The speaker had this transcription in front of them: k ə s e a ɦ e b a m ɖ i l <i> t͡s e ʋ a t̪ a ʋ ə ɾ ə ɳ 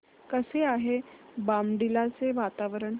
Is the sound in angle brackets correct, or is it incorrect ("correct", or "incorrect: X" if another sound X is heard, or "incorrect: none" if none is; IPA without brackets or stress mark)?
incorrect: a